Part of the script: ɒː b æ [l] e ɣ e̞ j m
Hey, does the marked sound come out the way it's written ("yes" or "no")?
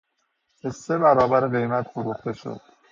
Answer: no